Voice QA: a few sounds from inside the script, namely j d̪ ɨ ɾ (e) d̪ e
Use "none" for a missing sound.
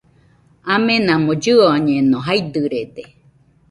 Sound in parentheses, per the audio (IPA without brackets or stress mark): e